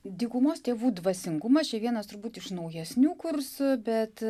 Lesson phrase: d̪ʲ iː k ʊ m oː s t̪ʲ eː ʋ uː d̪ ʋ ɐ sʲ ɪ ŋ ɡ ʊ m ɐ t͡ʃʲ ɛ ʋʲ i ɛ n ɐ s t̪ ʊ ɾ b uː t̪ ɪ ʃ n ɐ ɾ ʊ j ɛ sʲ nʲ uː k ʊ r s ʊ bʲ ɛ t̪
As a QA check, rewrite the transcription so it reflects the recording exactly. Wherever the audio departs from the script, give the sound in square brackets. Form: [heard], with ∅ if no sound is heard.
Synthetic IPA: d̪ʲ iː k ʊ m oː s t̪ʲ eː ʋ uː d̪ ʋ ɐ sʲ ɪ ŋ ɡ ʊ m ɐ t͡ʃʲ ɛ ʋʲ i ɛ n ɐ s t̪ ʊ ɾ b uː t̪ ɪ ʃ n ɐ [∅] ʊ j ɛ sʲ nʲ uː k ʊ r s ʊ bʲ ɛ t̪